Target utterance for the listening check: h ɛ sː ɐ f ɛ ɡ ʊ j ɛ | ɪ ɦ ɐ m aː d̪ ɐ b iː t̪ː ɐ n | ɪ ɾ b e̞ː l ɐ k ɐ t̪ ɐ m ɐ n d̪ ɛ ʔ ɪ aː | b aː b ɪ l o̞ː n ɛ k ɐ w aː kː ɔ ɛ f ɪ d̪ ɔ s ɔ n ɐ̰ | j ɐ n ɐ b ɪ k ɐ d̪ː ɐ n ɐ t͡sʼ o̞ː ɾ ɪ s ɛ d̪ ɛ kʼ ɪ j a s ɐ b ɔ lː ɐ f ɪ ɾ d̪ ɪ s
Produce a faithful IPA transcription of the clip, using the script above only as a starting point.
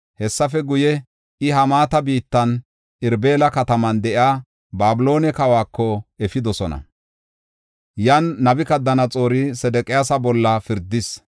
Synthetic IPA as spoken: h ɛ sː ɐ f ɛ ɡ ʊ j ɛ | ɪ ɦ ɐ m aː t̪ ɐ b iː t̪ː ɐ n | ɪ ɾ b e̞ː l ɐ k ɐ t̪ ɐ m ɐ n d̪ ɛ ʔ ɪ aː | b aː b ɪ l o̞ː n ɛ k ɐ w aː kː ɔ ɛ f ɪ d̪ ɔ s ɔ n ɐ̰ | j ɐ nː ɐ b ɪ k ɐ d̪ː ɐ n ɐ t͡sʼ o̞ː ɾ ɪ s ɛ d̪ ɛ kʼ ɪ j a s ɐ b ɔ lː ɐ f ɪ ɾ d̪ ɪ s